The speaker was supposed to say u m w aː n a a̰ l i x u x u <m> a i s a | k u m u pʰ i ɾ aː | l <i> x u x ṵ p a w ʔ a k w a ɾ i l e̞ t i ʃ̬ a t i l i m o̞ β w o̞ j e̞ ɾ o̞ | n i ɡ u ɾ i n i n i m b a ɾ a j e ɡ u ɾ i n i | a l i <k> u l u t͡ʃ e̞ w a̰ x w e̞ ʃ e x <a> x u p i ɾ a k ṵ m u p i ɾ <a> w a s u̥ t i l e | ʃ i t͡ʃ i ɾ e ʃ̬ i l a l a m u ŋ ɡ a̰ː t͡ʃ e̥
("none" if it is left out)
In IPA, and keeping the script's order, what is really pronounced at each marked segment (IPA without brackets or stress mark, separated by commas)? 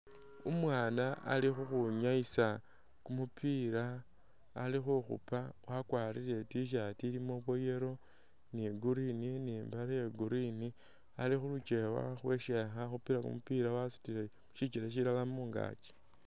ɲ, i, x, a, a